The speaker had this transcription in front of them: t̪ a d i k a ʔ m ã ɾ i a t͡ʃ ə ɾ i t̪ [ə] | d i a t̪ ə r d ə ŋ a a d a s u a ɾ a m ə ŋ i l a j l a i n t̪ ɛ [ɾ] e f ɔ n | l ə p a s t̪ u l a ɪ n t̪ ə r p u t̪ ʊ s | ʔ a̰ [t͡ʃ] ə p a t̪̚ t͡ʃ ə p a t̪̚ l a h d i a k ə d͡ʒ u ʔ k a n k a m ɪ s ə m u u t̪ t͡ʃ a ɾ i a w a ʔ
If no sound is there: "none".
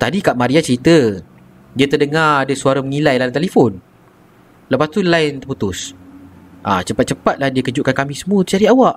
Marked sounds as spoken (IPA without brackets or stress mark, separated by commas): ə, l, t͡ʃ